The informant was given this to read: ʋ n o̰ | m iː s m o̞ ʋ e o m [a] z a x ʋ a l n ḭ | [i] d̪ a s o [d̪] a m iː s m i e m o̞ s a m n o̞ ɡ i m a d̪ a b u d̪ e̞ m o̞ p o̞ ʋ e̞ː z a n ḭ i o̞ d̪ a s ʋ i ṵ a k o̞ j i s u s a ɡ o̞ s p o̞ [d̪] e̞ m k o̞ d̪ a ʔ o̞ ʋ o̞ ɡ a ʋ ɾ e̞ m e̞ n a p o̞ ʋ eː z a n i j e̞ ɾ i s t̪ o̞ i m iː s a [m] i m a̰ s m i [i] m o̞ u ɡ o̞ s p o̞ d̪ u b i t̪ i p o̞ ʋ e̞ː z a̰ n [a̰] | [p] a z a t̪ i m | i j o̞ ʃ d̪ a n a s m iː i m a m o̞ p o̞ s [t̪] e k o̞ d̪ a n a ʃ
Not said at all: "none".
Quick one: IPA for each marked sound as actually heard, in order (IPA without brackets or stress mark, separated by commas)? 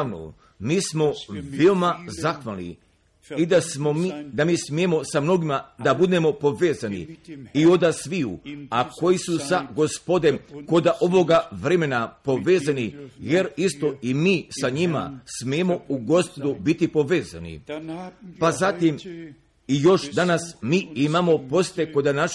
a, i, d̪, d̪, ɲ, e, ḭ, p, t̪